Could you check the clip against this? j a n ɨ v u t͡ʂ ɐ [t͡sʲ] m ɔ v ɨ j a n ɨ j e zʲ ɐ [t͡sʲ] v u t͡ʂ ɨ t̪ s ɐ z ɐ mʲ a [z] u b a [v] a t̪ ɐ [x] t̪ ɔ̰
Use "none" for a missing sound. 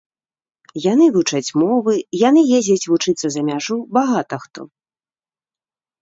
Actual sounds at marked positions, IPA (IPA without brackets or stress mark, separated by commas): t͡sʲ, t͡sʲ, ʐ, ɣ, x